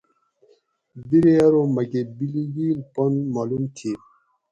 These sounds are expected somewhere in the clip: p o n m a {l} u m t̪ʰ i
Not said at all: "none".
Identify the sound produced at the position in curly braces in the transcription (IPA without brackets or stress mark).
l